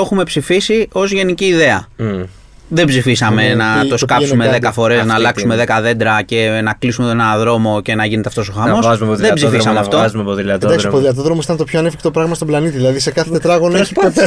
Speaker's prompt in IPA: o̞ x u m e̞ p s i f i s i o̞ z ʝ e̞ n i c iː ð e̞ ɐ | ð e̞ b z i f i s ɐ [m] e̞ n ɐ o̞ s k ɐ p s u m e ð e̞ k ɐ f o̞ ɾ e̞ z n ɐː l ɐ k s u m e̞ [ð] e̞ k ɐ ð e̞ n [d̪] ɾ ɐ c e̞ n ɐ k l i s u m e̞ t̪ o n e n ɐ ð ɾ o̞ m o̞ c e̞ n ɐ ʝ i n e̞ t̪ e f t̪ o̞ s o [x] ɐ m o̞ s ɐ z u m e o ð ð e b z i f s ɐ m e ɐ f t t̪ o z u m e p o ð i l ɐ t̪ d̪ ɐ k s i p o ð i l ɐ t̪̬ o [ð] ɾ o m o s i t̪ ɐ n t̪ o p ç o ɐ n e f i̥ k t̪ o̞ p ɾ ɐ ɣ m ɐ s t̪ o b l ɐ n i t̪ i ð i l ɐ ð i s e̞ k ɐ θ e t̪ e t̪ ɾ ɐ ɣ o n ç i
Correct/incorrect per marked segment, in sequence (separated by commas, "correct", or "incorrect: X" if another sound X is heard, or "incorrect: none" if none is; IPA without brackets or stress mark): correct, correct, correct, correct, correct